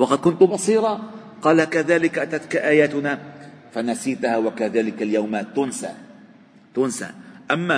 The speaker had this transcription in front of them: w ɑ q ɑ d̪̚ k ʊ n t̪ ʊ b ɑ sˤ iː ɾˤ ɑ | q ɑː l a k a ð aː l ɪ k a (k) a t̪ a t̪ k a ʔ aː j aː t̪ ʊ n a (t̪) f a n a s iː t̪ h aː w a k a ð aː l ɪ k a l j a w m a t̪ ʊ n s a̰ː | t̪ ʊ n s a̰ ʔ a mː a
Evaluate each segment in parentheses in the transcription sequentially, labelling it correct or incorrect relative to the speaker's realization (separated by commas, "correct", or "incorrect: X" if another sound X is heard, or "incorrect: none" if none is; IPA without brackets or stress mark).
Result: incorrect: ʔ, incorrect: none